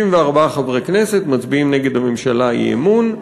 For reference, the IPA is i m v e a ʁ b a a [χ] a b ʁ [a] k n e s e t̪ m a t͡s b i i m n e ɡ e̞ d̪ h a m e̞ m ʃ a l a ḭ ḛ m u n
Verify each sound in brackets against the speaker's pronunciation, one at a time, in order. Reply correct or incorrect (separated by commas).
correct, incorrect